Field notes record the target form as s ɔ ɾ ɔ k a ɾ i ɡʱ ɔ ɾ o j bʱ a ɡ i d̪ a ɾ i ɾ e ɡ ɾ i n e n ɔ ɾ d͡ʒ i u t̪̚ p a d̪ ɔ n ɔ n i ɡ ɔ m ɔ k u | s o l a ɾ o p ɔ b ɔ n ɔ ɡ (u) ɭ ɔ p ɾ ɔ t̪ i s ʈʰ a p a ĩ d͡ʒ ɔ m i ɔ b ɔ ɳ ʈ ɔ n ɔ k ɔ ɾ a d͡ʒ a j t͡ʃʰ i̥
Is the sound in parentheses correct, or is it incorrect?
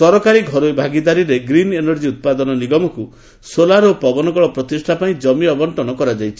incorrect